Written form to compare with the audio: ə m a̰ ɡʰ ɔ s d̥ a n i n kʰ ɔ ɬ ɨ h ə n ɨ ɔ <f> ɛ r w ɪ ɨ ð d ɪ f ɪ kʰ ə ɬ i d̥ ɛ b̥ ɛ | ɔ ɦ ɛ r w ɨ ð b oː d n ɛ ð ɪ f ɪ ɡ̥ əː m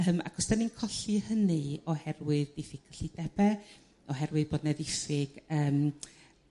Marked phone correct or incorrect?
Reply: incorrect